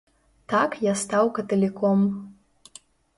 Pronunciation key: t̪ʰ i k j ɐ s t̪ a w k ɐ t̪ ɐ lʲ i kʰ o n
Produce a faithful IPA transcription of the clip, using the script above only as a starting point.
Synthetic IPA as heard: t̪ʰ a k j a s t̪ a w k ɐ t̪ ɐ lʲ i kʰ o m